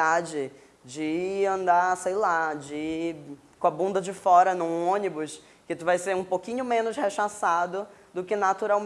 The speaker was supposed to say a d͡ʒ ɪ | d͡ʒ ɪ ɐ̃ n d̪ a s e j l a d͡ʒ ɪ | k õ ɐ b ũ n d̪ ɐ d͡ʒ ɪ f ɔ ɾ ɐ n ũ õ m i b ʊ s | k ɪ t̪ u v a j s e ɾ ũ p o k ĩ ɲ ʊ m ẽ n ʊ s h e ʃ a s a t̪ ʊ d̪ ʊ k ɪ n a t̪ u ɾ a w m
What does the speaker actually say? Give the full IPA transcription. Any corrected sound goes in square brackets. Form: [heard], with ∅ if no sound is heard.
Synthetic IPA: a d͡ʒ ɪ | d͡ʒ ɪ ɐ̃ n d̪ a s e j l a d͡ʒ ɪ | k õ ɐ b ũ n d̪ ɐ d͡ʒ ɪ f ɔ ɾ ɐ n ũ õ [n] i b ʊ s | k ɪ t̪ u v a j s e ɾ ũ p o k ĩ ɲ ʊ m ẽ n ʊ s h e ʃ a s a [d̪] ʊ d̪ ʊ k ɪ n a t̪ u ɾ a w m